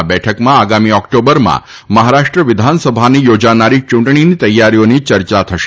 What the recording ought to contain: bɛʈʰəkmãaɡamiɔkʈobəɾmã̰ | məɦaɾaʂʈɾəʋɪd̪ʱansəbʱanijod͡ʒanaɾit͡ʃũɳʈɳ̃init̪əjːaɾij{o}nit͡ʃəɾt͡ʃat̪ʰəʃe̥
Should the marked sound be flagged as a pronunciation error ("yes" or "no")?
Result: no